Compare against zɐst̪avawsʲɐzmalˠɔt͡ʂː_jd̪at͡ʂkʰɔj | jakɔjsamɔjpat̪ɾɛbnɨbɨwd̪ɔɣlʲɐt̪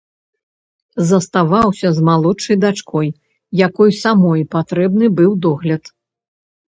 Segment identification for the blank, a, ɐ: ɐ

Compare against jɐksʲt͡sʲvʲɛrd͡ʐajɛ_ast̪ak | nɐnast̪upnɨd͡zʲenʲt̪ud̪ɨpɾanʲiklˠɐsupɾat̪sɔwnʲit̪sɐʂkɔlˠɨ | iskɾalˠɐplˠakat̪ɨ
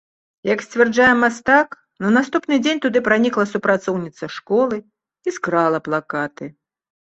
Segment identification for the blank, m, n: m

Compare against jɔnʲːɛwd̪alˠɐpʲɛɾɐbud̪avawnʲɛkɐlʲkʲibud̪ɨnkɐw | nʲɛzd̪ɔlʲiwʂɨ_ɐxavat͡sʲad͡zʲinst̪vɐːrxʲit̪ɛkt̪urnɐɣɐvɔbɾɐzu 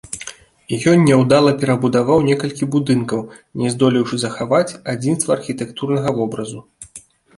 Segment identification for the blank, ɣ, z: z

